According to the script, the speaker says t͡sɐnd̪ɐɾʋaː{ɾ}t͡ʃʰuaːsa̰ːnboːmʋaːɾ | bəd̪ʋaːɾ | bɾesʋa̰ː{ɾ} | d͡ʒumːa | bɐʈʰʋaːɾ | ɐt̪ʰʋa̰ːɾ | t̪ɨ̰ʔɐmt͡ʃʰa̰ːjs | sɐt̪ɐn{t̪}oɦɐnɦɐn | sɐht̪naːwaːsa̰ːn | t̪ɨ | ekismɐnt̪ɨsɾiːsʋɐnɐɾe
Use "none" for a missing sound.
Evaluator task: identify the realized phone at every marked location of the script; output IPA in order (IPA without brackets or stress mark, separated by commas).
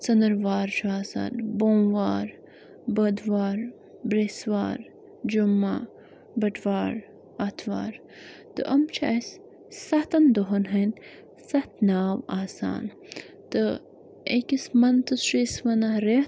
ɾ, ɾ, d̪